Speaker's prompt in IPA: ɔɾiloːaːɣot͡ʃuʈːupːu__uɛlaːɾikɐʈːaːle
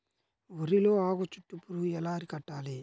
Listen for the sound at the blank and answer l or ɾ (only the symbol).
ɾ